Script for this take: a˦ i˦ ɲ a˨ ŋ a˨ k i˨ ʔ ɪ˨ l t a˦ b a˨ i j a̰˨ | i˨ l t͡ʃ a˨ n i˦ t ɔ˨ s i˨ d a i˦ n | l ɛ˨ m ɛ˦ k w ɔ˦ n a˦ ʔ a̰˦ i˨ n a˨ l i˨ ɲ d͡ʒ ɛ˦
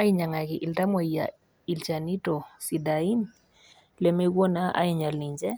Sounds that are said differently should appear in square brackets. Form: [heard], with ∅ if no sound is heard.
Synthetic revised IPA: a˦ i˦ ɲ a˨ ŋ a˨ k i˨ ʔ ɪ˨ l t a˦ [m] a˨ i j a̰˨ | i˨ l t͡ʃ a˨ n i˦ t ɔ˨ s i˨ d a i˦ n | l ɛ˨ m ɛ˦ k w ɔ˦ n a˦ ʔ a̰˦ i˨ [ɲ] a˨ l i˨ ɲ d͡ʒ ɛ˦